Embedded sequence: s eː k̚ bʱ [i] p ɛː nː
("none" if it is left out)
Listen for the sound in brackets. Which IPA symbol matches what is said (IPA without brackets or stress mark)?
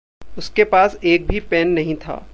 i